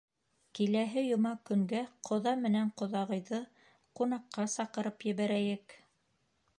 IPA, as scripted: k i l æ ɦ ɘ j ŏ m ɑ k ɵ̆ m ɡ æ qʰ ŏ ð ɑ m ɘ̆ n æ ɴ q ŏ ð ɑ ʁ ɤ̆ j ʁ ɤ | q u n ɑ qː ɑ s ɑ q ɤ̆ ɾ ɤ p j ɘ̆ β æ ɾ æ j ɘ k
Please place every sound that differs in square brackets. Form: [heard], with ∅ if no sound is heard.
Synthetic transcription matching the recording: k i l æ ɦ ɘ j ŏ m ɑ k ɵ̆ [ŋ] ɡ æ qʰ ŏ ð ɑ m ɘ̆ n æ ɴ q ŏ ð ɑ ʁ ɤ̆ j [ð] ɤ | q u n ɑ qː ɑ s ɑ q ɤ̆ ɾ ɤ p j ɘ̆ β æ ɾ æ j ɘ k